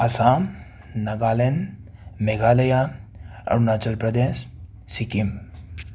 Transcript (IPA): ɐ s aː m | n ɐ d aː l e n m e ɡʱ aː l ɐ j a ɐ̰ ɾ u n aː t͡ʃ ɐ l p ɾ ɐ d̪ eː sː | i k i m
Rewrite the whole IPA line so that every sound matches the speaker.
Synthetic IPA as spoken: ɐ s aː m | n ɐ ɡ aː l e n m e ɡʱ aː l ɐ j a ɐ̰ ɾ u n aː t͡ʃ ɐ l p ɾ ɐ d̪ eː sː | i k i m